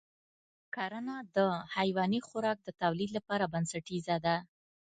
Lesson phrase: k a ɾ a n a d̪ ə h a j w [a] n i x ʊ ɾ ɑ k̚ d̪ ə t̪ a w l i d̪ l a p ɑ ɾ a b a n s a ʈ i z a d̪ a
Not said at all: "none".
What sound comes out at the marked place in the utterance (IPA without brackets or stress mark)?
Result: ɑ